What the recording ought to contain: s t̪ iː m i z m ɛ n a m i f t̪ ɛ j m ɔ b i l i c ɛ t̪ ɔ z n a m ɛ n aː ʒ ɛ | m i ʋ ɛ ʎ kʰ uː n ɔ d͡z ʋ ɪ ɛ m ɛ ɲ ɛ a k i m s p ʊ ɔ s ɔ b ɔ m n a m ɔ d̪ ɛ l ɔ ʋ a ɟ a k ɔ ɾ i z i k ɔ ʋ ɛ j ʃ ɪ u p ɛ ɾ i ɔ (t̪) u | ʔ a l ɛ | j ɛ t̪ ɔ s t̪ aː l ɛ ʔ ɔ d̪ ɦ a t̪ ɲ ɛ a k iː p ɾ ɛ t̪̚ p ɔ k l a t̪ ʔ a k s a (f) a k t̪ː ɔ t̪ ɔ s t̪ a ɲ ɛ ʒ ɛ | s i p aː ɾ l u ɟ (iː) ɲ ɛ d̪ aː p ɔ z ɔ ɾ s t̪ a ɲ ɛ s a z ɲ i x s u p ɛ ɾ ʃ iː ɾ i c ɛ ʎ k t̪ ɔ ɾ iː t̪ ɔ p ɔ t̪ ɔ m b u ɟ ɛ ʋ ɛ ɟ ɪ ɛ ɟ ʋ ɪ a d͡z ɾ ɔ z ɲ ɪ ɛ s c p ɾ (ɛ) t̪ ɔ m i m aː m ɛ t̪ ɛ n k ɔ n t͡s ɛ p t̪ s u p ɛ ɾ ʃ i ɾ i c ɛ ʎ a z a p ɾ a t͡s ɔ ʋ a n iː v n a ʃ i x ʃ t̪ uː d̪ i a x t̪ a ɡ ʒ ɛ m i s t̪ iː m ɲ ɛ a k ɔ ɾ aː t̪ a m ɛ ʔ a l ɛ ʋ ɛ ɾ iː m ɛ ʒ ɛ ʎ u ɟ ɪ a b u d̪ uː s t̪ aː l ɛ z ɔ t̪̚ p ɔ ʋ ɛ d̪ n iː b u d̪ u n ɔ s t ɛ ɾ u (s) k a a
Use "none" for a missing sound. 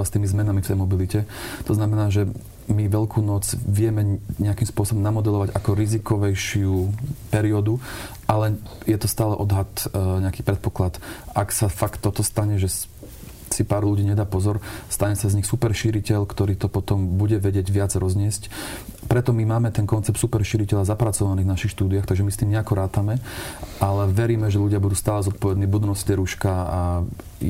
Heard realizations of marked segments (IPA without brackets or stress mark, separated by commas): d̪, f, iː, ɛ, ʃ